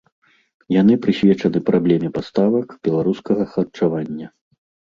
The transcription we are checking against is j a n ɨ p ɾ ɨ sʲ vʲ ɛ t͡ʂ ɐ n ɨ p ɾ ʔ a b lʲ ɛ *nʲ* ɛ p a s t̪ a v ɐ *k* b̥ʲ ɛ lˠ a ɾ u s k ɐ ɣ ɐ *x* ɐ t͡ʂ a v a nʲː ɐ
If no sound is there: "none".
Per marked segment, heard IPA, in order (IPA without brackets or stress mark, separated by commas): mʲ, k, x